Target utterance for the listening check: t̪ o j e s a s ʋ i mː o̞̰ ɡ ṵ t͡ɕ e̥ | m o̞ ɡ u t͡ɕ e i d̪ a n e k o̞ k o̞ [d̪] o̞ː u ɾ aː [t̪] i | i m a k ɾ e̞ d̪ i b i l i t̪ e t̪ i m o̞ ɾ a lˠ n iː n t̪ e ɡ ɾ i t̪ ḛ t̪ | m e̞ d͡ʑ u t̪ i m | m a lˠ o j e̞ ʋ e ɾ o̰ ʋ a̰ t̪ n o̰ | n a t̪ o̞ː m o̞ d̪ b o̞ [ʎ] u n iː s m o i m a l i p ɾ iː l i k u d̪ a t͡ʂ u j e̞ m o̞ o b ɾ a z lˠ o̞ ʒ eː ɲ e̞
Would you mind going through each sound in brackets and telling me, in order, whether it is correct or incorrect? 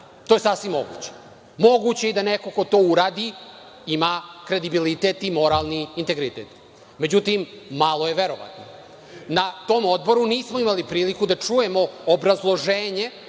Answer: incorrect: t̪, incorrect: d̪, incorrect: ɾ

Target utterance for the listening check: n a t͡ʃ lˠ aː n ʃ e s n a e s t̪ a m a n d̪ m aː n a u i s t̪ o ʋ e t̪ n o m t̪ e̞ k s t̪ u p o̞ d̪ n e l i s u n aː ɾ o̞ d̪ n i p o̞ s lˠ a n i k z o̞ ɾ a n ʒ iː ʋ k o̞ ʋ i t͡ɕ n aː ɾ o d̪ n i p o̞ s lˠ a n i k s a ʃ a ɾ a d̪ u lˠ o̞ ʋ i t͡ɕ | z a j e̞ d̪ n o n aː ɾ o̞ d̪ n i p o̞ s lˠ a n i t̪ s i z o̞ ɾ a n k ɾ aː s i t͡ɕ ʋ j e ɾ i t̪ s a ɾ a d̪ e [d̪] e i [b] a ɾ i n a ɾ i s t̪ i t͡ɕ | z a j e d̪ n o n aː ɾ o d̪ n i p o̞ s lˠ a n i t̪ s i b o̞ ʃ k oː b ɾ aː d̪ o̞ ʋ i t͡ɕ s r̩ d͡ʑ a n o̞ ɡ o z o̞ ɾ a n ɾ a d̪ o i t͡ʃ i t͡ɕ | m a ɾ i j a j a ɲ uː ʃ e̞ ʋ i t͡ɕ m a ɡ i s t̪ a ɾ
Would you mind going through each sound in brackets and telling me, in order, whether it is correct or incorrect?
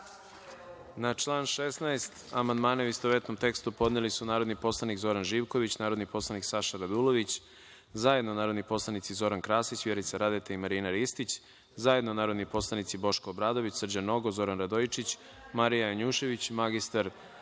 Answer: incorrect: t̪, incorrect: m

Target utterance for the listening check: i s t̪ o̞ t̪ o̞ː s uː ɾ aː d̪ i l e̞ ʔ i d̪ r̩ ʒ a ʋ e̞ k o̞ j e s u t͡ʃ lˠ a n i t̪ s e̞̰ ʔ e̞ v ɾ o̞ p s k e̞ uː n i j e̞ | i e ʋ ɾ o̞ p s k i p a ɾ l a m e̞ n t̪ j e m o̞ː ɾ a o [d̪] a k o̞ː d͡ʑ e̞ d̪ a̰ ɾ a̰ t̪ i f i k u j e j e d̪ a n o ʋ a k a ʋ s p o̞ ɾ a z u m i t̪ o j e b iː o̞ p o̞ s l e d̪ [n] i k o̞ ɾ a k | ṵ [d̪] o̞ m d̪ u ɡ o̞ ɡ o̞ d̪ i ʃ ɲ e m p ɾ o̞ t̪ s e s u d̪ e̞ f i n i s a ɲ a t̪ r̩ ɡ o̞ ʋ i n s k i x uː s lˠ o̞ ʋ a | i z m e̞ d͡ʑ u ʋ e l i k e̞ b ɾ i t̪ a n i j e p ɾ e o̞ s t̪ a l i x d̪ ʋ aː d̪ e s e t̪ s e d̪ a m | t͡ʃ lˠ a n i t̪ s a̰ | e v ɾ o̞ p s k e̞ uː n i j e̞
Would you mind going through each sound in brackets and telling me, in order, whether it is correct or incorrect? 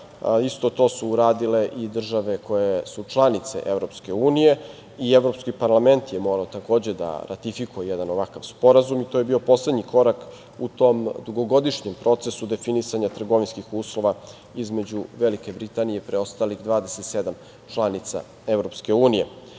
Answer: incorrect: t̪, incorrect: ɲ, incorrect: t̪

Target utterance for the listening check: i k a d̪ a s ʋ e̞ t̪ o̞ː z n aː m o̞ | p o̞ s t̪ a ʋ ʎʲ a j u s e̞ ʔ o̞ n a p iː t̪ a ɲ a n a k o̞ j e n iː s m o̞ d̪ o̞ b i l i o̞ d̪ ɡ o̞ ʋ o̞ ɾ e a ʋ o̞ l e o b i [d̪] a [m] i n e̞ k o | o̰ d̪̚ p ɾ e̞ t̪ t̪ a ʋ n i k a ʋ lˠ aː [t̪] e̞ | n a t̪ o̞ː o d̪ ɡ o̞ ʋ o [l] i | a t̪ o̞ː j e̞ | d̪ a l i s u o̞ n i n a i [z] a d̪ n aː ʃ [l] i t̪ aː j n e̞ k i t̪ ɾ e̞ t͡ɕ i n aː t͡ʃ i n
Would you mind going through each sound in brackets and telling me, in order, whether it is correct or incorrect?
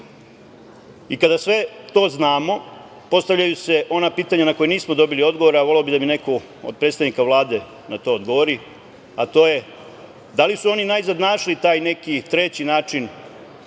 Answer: correct, correct, incorrect: d̪, incorrect: ɾ, correct, correct

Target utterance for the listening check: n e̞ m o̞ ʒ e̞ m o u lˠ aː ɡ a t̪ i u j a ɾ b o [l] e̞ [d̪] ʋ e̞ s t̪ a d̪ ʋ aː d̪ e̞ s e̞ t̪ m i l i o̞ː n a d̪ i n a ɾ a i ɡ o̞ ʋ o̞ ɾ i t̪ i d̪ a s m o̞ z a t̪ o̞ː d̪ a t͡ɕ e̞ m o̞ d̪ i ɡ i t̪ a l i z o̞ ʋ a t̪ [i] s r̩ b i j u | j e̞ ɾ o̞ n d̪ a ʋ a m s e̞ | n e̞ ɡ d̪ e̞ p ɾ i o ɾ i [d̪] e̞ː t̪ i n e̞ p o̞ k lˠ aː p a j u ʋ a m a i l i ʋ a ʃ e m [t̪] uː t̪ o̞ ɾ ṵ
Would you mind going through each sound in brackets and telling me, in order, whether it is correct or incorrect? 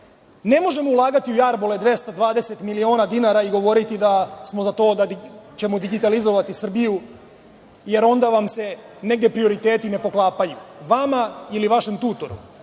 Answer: correct, correct, correct, incorrect: t̪, correct

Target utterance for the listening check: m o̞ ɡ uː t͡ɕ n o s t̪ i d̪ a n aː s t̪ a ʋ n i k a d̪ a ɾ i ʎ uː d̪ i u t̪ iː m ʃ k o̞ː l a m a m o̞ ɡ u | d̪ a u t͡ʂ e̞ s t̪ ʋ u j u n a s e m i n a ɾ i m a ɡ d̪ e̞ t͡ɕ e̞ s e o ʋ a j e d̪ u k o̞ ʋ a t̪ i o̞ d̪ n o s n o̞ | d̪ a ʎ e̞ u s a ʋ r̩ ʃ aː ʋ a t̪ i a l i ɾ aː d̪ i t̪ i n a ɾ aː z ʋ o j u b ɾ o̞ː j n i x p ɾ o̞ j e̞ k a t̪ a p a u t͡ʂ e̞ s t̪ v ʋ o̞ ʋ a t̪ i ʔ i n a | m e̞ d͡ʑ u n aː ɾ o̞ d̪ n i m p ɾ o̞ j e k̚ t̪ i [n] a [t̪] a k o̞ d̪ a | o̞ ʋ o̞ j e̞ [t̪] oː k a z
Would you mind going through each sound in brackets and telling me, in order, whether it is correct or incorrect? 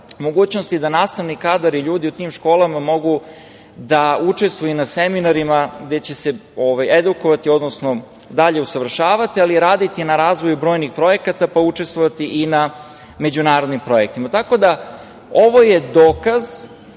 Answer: incorrect: m, correct, incorrect: d̪

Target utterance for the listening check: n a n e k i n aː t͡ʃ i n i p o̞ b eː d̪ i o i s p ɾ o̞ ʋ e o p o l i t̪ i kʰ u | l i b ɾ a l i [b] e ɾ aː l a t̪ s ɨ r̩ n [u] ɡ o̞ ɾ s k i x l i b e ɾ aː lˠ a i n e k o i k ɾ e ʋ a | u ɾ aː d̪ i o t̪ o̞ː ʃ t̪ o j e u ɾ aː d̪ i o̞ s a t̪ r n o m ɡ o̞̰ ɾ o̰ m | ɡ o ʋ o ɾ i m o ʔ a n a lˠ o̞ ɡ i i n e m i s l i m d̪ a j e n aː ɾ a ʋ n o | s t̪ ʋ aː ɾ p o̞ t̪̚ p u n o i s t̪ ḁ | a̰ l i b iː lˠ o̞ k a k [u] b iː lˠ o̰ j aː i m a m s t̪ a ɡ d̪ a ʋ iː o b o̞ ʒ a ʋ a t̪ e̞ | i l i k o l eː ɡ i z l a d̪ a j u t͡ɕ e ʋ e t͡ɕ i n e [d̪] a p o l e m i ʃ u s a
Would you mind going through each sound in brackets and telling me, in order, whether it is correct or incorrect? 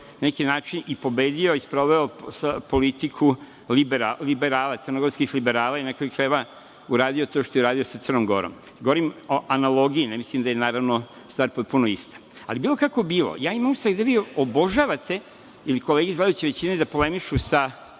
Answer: correct, incorrect: o, incorrect: o, correct

